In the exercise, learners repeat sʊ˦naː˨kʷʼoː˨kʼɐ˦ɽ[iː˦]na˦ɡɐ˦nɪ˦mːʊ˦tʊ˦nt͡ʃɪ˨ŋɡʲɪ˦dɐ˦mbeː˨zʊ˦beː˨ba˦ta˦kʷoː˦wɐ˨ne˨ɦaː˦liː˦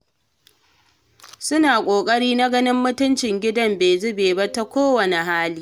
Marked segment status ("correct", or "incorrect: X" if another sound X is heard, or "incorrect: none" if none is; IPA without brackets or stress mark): correct